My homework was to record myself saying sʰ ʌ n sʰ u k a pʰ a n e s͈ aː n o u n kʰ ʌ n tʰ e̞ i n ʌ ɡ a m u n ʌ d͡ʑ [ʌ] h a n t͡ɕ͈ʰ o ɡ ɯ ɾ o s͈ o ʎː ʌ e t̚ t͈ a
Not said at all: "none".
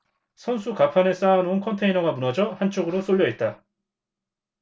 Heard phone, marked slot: ʌ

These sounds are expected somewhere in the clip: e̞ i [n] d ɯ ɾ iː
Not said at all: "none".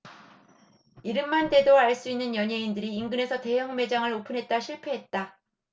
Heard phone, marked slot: n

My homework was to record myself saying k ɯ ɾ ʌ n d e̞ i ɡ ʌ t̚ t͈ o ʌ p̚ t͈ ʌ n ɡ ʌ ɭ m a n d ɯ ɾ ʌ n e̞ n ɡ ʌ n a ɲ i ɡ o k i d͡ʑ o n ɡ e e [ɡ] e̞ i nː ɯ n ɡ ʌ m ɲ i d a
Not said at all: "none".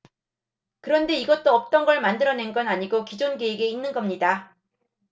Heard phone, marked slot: ɡ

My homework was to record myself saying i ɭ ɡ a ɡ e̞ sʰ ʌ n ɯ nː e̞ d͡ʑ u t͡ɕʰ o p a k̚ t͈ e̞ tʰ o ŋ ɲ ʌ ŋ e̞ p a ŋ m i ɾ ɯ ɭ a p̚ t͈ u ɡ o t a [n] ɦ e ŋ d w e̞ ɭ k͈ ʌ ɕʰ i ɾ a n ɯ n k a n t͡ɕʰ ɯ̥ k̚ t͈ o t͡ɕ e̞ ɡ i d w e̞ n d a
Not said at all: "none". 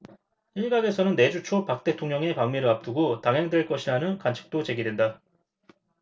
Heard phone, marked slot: ŋ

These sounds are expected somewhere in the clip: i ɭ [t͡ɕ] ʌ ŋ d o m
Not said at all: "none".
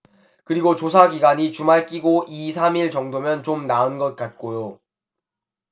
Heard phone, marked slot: t͡ɕ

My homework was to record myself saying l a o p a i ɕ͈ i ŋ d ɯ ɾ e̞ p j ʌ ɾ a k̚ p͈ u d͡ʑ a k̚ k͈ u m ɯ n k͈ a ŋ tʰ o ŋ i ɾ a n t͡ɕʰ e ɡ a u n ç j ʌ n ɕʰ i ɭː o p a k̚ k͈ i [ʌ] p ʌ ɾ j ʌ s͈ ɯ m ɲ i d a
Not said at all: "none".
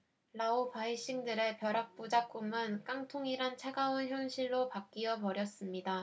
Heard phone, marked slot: ʌ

